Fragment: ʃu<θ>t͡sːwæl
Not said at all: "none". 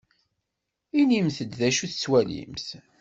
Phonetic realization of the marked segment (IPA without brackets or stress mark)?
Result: θ